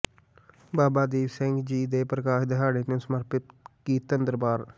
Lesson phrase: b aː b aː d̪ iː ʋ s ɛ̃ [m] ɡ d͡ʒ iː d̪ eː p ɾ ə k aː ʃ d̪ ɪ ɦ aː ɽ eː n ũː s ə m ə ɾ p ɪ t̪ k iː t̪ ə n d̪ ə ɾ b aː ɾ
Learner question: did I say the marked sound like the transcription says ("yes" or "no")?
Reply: no